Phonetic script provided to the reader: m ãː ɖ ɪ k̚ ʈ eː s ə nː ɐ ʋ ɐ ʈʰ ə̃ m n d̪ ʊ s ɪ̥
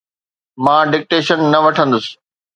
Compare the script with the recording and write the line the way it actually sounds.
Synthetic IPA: m ãː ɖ ɪ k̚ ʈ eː ʃ ə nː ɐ ʋ ɐ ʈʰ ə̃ n d̪ ʊ s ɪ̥